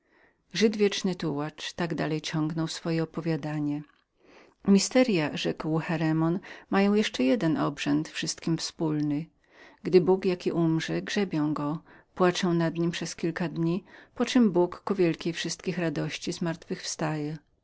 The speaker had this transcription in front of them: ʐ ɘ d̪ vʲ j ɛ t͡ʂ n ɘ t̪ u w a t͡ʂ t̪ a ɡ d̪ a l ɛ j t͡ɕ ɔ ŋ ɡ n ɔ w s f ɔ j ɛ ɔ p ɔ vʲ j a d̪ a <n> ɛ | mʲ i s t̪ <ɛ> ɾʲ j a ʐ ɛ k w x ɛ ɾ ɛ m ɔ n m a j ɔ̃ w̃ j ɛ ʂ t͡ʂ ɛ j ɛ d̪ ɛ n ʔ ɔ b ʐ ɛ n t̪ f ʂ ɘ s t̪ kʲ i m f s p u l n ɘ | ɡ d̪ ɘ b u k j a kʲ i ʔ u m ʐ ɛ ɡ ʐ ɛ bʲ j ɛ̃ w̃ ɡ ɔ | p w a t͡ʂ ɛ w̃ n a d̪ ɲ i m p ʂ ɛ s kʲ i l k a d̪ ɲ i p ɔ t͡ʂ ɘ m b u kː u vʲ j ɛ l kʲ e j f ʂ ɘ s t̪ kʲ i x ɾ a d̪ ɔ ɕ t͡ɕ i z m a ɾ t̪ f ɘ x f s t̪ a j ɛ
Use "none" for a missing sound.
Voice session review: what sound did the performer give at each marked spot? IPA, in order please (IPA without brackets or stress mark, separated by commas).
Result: ɲ, ɛ